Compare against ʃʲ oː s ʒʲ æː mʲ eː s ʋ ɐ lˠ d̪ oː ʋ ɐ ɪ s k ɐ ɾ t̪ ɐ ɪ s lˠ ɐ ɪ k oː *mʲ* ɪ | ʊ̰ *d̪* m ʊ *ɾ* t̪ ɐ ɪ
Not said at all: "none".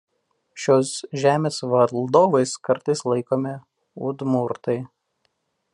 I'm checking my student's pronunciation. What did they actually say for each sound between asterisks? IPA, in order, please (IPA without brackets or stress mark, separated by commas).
mʲ, d̪, ɾ